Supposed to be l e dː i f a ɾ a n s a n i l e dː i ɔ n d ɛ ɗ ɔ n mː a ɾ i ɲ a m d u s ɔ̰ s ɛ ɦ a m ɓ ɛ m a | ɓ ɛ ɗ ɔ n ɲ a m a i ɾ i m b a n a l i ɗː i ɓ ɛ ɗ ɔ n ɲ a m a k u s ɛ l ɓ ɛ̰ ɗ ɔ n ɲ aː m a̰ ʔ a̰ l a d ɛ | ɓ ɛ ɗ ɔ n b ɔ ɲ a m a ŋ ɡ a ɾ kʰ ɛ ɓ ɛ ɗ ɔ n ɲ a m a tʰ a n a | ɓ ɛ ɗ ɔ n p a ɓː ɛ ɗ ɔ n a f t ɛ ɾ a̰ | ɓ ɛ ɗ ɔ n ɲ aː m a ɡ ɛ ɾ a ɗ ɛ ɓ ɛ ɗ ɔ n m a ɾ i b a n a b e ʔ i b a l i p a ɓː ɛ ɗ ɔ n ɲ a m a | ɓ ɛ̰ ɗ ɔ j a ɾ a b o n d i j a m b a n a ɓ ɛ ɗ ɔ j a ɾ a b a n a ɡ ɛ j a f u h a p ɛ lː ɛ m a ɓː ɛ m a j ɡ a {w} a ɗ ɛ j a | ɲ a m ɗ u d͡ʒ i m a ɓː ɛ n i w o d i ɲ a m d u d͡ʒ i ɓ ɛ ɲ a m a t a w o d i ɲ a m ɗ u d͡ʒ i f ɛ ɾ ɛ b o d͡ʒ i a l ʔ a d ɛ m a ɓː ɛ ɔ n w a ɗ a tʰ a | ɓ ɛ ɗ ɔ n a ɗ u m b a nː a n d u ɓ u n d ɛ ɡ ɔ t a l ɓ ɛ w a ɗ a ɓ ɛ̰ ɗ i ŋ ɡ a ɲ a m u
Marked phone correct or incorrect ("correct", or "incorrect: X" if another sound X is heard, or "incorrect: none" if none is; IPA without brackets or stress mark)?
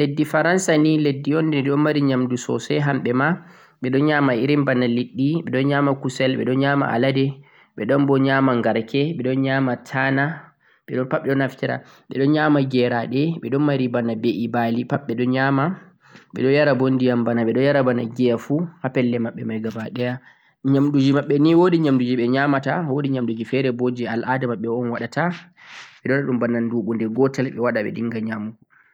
incorrect: b